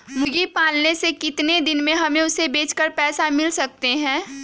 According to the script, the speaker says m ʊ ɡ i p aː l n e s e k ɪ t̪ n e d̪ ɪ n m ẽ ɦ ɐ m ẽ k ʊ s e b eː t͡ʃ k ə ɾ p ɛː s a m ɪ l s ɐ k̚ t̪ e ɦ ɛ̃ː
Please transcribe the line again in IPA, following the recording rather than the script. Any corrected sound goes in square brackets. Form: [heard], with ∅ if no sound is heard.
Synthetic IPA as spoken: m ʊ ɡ i p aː l n e s e k ɪ t̪ n e d̪ ɪ n m ẽ ɦ ɐ m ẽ [∅] ʊ s e b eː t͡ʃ k ə ɾ p ɛː s a m ɪ l s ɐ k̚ t̪ e ɦ ɛ̃ː